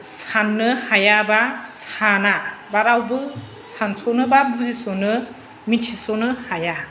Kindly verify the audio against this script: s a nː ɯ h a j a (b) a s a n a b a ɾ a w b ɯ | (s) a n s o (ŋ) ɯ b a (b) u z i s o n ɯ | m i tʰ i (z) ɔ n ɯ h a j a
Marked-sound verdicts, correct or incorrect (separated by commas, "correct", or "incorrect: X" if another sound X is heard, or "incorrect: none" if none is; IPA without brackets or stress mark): correct, correct, incorrect: n, correct, incorrect: s